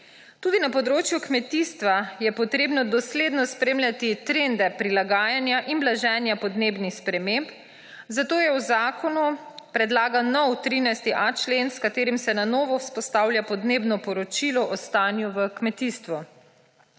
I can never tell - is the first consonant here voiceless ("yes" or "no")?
yes